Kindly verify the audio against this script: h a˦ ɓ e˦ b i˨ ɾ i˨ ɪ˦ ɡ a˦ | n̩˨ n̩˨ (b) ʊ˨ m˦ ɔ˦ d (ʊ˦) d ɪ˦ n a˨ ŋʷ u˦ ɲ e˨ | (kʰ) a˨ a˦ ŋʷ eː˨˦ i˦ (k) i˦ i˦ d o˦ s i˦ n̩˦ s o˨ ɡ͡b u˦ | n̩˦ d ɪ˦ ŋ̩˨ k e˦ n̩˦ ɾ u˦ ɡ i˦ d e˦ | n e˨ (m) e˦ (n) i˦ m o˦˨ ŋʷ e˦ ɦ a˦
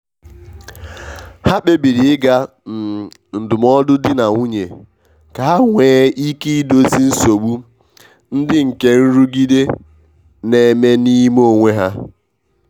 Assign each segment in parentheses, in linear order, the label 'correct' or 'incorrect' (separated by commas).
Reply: incorrect, correct, incorrect, correct, correct, correct